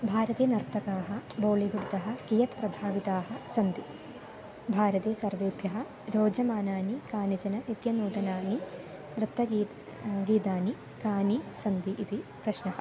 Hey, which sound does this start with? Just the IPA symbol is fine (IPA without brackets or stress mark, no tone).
bʱ